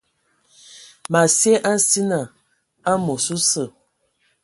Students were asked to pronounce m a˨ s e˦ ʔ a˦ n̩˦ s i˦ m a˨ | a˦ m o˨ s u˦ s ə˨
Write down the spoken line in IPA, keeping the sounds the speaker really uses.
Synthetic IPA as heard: m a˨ s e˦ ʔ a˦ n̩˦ s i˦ n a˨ | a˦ m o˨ s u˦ s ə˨